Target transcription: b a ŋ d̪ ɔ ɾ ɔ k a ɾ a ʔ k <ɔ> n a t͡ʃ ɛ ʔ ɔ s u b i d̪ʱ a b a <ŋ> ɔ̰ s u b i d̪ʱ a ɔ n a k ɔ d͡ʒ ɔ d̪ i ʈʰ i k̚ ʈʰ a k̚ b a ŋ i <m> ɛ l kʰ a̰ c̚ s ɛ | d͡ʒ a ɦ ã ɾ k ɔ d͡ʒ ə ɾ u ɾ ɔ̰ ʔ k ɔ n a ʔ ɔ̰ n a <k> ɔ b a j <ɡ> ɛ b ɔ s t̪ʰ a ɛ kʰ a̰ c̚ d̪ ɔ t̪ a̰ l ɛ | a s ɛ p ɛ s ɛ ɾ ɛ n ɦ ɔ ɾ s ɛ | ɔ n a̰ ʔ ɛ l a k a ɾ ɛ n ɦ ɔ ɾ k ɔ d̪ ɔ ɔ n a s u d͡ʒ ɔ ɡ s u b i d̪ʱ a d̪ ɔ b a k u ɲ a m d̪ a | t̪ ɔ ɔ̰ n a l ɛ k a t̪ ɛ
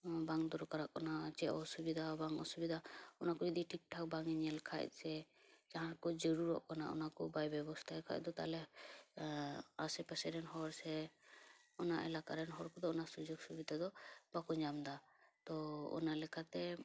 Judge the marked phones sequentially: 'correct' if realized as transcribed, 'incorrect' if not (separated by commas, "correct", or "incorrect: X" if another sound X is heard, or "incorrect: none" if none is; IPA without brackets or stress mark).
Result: correct, correct, incorrect: ɲ, correct, incorrect: b